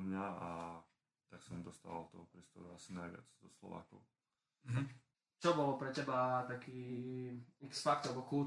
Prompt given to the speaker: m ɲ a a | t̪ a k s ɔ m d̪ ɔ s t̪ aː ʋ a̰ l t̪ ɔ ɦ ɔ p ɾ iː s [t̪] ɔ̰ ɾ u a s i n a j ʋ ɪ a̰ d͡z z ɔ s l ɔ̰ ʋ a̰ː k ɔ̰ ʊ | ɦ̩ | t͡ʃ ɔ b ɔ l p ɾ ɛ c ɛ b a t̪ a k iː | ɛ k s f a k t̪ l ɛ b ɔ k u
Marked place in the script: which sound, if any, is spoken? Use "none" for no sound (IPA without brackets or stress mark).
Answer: t̪